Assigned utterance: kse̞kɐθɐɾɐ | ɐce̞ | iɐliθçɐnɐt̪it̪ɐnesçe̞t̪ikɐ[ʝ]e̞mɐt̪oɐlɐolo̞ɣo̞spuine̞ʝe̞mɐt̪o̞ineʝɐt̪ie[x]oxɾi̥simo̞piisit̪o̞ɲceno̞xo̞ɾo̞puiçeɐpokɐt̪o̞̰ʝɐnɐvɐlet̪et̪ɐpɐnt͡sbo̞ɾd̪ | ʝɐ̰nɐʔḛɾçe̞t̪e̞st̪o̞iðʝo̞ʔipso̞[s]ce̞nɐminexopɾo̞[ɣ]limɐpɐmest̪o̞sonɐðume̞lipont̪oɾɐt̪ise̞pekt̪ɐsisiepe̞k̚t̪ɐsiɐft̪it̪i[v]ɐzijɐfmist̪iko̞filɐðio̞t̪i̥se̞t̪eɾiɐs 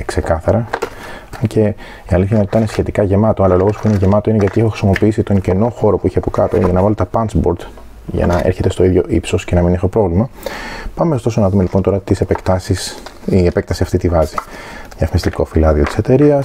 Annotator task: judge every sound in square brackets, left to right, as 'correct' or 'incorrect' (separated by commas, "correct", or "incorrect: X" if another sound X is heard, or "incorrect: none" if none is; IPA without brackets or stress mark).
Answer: correct, correct, correct, incorrect: v, correct